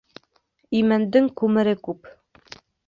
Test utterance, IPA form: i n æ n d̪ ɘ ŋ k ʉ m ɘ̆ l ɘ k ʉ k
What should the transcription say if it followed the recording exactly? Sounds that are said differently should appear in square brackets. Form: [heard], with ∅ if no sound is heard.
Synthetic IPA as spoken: i [m] æ n d̪ ɘ ŋ k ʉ m ɘ̆ [ɾ] ɘ k ʉ [p]